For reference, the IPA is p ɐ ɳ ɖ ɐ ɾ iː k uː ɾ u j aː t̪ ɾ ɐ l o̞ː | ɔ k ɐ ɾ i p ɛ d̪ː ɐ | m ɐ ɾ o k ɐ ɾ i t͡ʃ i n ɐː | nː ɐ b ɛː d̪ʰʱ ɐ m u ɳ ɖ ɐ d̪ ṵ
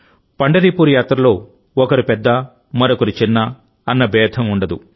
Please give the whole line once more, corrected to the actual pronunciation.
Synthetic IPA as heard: p ɐ ɳ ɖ ɐ ɾ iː p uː ɾ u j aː t̪ ɾ ɐ l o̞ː | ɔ k ɐ ɾ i p ɛ d̪ː ɐ | m ɐ ɾ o k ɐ ɾ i t͡ʃ i nː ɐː | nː ɐ b ɛː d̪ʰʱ ɐ m u ɳ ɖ ɐ d̪ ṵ